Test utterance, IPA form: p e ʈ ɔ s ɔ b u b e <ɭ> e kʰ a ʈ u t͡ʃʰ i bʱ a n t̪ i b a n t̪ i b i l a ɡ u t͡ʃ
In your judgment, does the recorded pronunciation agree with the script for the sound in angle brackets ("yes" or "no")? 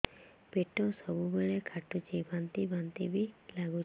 yes